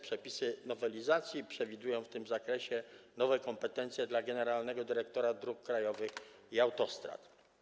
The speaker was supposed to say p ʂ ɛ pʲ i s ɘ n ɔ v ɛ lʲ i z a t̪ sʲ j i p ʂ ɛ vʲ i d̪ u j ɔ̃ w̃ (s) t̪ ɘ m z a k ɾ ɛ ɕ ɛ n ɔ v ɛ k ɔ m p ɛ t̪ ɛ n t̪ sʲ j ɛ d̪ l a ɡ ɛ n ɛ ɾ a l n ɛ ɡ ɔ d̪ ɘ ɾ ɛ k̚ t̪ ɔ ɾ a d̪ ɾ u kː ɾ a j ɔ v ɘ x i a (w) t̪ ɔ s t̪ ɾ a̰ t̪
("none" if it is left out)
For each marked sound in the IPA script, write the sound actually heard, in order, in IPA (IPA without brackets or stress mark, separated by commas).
f, w